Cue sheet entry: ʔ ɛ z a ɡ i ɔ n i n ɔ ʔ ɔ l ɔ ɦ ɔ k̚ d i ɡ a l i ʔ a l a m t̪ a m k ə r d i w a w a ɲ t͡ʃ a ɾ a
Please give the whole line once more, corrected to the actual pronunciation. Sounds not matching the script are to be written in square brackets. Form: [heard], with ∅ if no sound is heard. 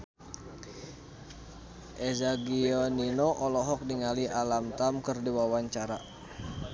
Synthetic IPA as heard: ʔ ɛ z a ɡ i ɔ n i n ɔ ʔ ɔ l ɔ ɦ ɔ k̚ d i [ŋ] a l i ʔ a l a m t̪ a m k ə r d i w a w a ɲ t͡ʃ a ɾ a